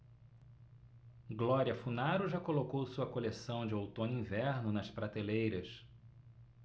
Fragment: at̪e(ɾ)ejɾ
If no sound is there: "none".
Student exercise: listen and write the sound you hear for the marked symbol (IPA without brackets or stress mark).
l